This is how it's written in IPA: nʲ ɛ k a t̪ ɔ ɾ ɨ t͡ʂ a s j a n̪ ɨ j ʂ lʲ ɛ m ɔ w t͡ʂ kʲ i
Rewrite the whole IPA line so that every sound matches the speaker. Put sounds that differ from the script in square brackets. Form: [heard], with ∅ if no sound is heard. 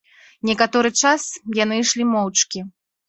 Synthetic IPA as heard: nʲ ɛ k a t̪ ɔ ɾ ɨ t͡ʂ a s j a n̪ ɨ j ʂ lʲ [i] m ɔ w t͡ʂ kʲ i